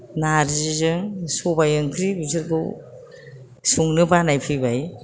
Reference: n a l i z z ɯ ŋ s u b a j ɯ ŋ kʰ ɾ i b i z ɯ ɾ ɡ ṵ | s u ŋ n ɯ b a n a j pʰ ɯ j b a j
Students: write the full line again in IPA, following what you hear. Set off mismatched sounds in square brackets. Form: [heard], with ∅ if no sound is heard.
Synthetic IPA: n a [ɾ] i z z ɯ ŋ s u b a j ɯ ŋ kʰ ɾ i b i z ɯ ɾ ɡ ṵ | s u ŋ n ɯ b a n a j pʰ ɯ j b a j

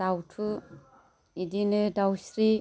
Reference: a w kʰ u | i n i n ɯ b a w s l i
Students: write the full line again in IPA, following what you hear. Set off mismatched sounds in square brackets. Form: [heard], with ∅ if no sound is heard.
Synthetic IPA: a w [tʰ] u | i [d] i n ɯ [d] a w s [ɾ] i

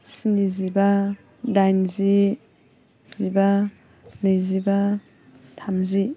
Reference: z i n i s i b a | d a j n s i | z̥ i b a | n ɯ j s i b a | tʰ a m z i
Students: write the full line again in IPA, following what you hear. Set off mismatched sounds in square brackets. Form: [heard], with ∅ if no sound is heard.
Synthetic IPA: [s] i n i [z] i b a | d a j n [z] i | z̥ i b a | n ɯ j [z] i b a | tʰ a m z i

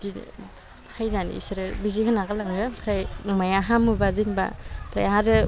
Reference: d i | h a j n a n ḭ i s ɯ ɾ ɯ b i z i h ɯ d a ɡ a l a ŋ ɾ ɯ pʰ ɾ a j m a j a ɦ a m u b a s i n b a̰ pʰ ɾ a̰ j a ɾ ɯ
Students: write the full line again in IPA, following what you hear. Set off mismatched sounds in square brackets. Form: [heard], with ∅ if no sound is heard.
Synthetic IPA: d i | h a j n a n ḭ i s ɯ ɾ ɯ b i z i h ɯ [n] a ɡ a l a ŋ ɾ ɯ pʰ ɾ a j m a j a ɦ a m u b a [z] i n b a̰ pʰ ɾ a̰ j a ɾ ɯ

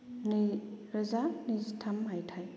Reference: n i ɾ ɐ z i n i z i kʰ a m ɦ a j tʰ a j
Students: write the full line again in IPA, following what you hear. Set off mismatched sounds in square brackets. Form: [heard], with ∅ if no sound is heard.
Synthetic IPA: n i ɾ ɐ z [a] n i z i [tʰ] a m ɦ a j tʰ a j

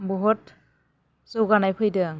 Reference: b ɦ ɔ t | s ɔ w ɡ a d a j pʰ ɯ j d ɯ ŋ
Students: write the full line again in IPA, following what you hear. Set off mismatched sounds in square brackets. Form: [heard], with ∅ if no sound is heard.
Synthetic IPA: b ɦ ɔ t | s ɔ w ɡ a [n] a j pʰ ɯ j d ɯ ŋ

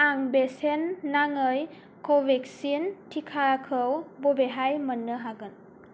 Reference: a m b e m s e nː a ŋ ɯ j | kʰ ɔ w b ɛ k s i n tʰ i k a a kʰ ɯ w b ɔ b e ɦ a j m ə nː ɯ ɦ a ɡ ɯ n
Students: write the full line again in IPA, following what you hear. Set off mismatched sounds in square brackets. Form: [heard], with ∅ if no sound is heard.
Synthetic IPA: a [ŋ] b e [∅] s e nː a ŋ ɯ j | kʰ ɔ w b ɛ k s i n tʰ i [kʰ] a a kʰ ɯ w b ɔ b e ɦ a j m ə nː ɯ ɦ a ɡ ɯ n

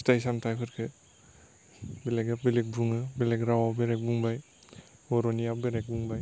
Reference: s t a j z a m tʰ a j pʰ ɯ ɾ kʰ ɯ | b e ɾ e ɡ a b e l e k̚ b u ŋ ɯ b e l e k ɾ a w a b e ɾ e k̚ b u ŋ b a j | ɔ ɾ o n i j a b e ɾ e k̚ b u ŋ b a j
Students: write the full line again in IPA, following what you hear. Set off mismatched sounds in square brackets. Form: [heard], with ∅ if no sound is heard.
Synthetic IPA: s t a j [s] a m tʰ a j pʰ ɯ ɾ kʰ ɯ | b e [l] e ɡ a b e l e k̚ b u ŋ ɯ b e l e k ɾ a w a b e ɾ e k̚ b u ŋ b a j | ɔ ɾ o n i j a b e ɾ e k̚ b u ŋ b a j

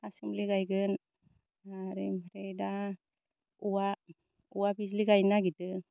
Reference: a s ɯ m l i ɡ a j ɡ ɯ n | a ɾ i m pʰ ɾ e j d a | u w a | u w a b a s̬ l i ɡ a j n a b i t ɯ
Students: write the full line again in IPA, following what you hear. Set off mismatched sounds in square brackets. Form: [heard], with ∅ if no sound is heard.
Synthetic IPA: a s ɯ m l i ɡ a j ɡ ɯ n | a ɾ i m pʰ ɾ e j d a | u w a | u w a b [i] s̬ l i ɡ a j n a [ɡ] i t ɯ

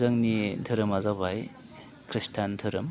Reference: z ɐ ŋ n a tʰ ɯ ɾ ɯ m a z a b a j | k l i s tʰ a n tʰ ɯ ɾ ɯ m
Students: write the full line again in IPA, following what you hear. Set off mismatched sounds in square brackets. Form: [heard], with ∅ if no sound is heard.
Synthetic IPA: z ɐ ŋ n [i] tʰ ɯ ɾ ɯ m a z a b a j | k [ɾ] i s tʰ a n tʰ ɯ ɾ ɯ m

